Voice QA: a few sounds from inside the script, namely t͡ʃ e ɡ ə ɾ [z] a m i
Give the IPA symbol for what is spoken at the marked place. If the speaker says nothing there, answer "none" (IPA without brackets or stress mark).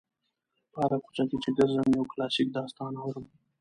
z